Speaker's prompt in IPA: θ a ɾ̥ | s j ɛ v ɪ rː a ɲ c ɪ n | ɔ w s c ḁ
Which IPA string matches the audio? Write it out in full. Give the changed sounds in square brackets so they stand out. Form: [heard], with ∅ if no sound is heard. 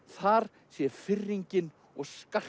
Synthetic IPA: θ a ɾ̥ | s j ɛ [f] ɪ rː [i] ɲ c ɪ n | ɔ [ɣ] s [k] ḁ